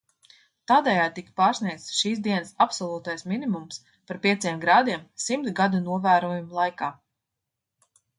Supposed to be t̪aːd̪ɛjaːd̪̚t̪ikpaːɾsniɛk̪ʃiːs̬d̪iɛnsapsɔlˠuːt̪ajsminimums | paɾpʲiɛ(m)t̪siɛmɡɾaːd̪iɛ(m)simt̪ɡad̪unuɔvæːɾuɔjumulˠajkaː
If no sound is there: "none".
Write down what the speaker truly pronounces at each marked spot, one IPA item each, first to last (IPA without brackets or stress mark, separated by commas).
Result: none, m